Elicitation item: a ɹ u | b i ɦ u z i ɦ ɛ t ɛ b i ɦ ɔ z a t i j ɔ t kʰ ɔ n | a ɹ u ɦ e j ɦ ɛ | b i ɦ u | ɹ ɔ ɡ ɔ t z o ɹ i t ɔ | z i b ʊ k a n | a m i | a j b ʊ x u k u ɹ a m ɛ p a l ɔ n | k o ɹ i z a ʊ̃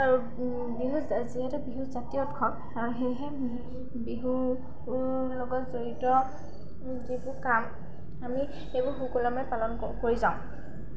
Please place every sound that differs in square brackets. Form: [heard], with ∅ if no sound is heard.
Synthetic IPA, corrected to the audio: a ɹ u | b i ɦ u z i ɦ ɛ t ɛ b i ɦ [u] z a t i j ɔ t kʰ ɔ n | a ɹ u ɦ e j ɦ ɛ | b i ɦ u | [l] ɔ ɡ ɔ t z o ɹ i t ɔ | z i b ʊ k a [m] | a m i | [e] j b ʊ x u k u [l] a m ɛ p a l ɔ n | k o ɹ i z a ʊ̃